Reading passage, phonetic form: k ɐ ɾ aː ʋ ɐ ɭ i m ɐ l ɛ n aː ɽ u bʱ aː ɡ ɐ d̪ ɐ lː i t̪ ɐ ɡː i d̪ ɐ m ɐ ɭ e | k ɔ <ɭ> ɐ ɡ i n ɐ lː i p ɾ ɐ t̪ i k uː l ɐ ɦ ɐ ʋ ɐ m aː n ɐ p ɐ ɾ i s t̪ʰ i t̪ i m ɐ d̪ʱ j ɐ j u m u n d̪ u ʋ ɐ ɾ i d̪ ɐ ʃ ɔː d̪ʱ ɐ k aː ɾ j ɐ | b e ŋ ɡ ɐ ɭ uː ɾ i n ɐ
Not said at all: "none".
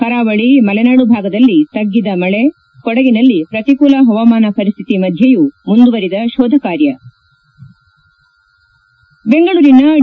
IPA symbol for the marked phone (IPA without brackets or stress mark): ɽ